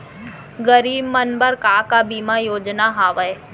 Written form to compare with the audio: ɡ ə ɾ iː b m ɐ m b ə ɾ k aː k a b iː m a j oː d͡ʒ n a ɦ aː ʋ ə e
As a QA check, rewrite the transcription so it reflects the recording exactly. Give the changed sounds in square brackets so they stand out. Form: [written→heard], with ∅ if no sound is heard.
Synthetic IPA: ɡ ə ɾ iː b m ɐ [m→n] b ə ɾ k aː k a b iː m a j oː d͡ʒ n a ɦ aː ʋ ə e